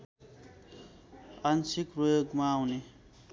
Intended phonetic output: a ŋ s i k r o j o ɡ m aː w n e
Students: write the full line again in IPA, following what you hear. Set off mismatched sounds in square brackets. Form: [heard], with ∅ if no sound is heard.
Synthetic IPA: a [n] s i k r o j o ɡ m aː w n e

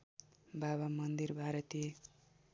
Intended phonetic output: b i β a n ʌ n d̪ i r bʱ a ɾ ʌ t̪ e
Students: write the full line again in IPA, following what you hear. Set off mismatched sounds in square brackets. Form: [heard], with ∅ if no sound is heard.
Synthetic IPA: b [a] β a [m] ʌ n d̪ i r bʱ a ɾ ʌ t̪ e

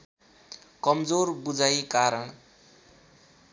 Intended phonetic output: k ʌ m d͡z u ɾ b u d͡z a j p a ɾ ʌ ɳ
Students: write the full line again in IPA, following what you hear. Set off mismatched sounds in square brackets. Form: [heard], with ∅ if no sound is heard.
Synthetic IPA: k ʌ m d͡z [o] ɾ b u d͡z a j [k] a ɾ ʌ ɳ

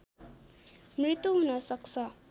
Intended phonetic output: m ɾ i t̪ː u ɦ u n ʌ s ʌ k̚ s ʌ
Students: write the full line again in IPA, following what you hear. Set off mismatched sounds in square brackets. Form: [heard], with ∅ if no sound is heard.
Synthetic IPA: m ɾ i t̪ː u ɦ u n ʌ s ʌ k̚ s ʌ

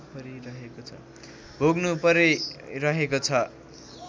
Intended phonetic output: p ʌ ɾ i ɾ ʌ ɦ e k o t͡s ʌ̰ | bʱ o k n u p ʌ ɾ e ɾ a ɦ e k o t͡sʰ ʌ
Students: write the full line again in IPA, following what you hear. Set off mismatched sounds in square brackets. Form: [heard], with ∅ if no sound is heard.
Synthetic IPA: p ʌ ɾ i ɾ ʌ ɦ e k o [t͡sʰ] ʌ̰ | bʱ o [ɡ] n u p ʌ ɾ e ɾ [ʌ] ɦ e k o t͡sʰ ʌ

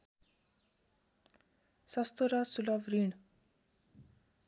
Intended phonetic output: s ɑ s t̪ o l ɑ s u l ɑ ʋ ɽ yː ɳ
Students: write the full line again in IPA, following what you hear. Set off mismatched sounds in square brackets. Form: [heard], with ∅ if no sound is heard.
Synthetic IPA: s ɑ s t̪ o [ɾ] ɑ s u l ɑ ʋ [ɾ] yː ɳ

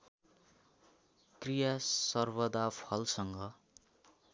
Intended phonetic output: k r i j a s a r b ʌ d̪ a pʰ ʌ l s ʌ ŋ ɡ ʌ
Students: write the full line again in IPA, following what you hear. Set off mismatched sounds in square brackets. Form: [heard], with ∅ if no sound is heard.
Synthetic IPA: k r i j a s [ʌ] r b ʌ d̪ a pʰ ʌ l s ʌ ŋ ɡ ʌ

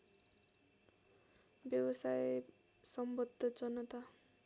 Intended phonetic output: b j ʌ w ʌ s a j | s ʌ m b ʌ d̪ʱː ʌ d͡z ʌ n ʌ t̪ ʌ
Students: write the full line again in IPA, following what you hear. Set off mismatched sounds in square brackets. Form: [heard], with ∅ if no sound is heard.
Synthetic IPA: b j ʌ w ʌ s a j | s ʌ m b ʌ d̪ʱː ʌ d͡z ʌ n ʌ t̪ [a]

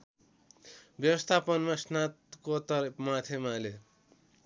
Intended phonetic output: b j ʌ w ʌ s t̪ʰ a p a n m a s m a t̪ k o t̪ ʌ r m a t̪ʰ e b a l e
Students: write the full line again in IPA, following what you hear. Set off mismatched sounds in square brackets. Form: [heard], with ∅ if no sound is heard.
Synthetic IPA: b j ʌ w ʌ s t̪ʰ a p [ʌ] n m a s [n] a t̪ k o t̪ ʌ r m a t̪ʰ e [m] a l e

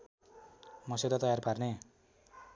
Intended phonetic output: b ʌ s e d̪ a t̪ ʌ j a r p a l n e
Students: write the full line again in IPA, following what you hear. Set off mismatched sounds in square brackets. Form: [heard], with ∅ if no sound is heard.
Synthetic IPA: [m] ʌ s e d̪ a t̪ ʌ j a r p a [r] n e

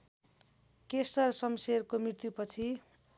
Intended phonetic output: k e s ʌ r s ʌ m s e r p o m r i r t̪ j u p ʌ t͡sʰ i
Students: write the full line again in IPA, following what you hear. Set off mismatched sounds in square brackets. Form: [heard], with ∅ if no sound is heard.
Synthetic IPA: k e s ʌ r s ʌ m s e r [k] o m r i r t̪ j u p ʌ t͡sʰ i

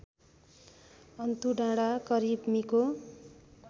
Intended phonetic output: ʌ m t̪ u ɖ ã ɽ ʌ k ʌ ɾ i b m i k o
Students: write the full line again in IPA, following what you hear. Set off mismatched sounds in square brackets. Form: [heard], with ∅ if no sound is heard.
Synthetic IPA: ʌ [n] t̪ u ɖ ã ɽ [a] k ʌ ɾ i b m i k o

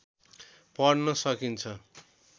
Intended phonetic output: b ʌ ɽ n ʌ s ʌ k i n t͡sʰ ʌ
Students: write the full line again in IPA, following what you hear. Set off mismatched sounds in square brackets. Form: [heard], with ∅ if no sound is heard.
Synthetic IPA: [p] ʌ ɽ n ʌ s ʌ k i n t͡sʰ ʌ

